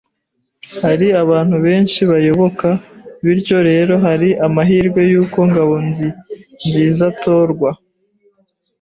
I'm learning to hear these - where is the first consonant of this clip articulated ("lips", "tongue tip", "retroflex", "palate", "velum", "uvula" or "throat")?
throat